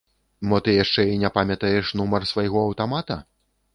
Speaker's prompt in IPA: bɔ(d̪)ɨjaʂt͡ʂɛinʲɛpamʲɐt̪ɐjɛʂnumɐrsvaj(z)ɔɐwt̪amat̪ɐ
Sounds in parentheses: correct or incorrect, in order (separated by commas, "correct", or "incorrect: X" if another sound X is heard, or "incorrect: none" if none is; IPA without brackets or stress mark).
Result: incorrect: t̪, incorrect: ɣ